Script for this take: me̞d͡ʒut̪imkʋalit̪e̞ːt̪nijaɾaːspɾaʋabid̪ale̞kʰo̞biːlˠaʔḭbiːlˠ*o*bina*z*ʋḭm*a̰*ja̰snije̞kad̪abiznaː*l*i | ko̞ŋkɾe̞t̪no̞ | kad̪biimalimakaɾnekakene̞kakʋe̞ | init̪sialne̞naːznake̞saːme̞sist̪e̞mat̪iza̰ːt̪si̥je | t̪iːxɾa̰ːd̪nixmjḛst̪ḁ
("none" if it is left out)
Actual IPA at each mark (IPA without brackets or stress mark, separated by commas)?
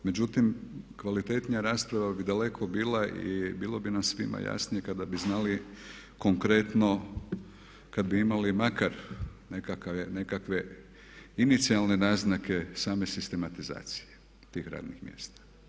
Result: o, s, a̰, l